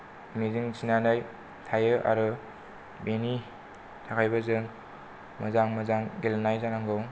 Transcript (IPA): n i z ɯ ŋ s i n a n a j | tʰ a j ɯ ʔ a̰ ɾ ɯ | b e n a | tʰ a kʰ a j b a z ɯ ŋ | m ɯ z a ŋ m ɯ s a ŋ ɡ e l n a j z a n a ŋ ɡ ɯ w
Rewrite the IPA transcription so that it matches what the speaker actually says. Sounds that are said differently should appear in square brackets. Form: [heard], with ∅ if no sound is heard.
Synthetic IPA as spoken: [m] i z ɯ ŋ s i n a n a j | tʰ a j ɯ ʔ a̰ ɾ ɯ | b e n [i] | tʰ a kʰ a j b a z ɯ ŋ | m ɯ z a ŋ m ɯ [z] a ŋ ɡ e l n a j z a n a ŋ ɡ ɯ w